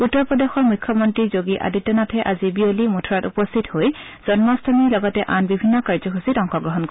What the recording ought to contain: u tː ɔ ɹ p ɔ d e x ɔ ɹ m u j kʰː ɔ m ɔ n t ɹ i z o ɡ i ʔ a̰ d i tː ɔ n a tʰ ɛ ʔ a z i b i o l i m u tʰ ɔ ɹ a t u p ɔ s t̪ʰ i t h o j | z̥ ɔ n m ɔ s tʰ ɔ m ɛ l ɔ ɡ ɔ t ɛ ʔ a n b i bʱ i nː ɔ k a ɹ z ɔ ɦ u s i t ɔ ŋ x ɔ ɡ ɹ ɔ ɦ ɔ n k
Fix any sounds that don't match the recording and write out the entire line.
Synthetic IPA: u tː ɔ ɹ p ɔ d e x ɔ ɹ m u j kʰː ɔ m ɔ n t ɹ i z o ɡ i ʔ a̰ d i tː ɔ n a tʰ ɛ ʔ a z i b i o l i m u tʰ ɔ ɹ a t u p ɔ s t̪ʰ i t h o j | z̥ ɔ n m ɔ s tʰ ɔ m i l ɔ ɡ ɔ t ɛ ʔ a n b i bʱ i nː ɔ k a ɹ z ɔ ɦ u s i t ɔ ŋ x ɔ ɡ ɹ ɔ ɦ ɔ n k